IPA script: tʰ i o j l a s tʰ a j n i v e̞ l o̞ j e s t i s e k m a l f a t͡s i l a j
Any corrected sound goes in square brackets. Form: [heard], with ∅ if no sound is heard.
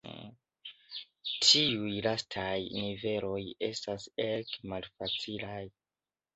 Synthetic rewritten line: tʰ i [u] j l a s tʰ a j n i v e̞ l o̞ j e s t [a] s e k m a l f a t͡s i l a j